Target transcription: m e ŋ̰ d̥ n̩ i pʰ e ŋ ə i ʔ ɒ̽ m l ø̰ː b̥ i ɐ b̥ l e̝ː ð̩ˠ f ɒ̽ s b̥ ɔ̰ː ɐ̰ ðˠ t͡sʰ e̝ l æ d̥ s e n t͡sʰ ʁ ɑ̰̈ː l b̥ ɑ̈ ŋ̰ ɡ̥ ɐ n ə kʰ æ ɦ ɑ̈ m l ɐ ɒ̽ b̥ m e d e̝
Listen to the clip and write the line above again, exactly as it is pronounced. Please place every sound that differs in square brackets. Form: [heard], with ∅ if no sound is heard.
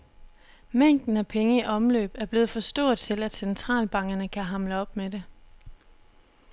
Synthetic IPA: m e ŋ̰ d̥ n̩ [æ] pʰ e ŋ ə i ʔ ɒ̽ m l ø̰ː b̥ [æ] ɐ b̥ l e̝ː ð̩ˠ f ɒ̽ s [d̥] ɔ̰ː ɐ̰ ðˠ t͡sʰ e̝ l æ d̥ s e n t͡sʰ ʁ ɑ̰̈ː l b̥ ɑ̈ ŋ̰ ɡ̥ ɐ n ə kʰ æ ɦ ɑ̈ m l [ə] ɒ̽ b̥ m e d e̝